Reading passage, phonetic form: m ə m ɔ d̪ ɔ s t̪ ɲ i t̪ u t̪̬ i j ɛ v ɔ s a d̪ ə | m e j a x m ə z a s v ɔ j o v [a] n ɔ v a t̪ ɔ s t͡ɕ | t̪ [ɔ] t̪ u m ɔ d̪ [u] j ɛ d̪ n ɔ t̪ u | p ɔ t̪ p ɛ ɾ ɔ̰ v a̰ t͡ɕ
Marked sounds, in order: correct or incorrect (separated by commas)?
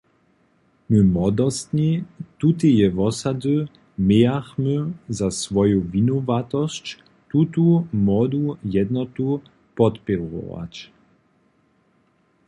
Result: incorrect, incorrect, correct